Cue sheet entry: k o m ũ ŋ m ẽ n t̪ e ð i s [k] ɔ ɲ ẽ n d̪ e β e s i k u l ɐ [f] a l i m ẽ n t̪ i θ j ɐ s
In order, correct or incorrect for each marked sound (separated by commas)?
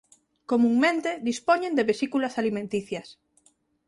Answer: incorrect, incorrect